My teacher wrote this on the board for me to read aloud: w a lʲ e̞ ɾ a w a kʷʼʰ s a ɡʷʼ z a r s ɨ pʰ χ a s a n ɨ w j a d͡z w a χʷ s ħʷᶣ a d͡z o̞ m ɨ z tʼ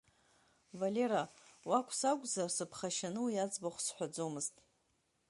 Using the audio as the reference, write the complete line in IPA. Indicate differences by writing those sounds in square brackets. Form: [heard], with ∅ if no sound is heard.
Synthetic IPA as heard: [v] a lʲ e̞ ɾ a w a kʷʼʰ s a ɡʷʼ z a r s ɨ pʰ χ a [ʃ] a n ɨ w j a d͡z [b] a χʷ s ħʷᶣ a d͡z o̞ m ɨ z tʼ

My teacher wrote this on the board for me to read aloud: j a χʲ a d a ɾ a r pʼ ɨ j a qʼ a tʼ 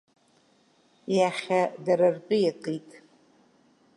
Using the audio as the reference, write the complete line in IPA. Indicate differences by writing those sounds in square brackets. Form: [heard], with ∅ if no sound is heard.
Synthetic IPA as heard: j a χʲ a d a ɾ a r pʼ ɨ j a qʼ [i] tʼ

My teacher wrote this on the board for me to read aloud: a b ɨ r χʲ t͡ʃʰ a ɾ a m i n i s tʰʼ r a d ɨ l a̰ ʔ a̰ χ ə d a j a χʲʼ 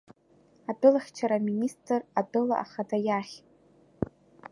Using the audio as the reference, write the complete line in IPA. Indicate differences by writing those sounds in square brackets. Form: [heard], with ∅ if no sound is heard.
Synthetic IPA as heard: a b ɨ [l] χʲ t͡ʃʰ a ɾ a m i n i s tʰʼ r a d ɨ l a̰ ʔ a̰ χ [a] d a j a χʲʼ

